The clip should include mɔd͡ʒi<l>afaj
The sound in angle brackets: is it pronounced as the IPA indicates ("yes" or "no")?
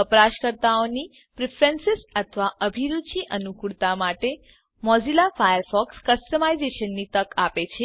yes